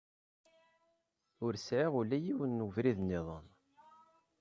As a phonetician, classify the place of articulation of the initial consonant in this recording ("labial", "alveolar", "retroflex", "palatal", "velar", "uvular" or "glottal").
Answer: alveolar